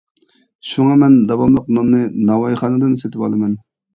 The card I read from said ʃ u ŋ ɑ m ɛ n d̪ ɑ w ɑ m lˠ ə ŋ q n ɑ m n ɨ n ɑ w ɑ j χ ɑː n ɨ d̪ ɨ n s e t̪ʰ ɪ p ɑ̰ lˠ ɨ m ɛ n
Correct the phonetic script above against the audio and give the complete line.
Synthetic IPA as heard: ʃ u ŋ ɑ m ɛ n d̪ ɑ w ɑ m lˠ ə q n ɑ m n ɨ n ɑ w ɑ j χ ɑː n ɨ d̪ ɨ n s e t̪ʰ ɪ p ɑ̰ lˠ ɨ m ɛ n